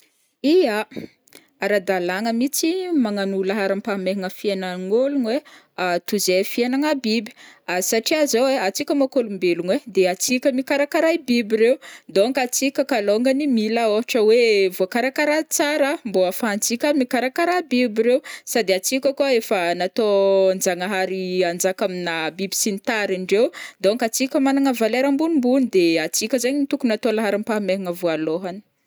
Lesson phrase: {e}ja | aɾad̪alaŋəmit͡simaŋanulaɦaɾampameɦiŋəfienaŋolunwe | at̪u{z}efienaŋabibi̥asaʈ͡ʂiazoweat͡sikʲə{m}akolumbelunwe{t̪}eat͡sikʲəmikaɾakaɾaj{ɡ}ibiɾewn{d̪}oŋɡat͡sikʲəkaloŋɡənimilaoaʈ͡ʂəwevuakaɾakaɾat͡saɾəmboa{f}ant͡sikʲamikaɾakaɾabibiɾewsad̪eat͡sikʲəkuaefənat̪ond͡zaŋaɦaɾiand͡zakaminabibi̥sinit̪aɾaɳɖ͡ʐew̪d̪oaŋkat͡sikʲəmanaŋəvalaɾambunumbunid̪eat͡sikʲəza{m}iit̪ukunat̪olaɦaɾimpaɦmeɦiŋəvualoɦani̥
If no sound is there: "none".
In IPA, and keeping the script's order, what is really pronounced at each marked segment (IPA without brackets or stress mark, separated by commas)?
i, z, m, d̪, b, d̪, f, ɲ